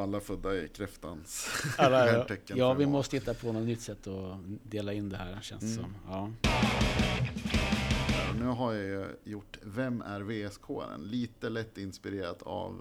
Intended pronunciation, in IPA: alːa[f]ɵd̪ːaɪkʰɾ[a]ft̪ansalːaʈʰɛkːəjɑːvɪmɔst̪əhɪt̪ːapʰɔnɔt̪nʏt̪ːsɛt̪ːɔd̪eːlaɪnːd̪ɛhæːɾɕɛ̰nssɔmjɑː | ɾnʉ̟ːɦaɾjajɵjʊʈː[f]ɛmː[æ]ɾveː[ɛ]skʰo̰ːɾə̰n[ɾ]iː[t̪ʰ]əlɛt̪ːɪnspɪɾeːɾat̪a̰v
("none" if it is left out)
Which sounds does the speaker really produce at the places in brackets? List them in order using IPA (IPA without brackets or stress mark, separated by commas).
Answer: f, ɛ, v, æ, ɛ, l, t̪